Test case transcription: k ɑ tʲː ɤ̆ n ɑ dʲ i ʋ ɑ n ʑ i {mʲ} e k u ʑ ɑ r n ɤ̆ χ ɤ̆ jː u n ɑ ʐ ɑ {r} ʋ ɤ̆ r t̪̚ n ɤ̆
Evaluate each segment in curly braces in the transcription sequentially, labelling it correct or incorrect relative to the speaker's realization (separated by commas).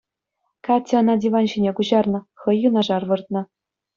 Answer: incorrect, correct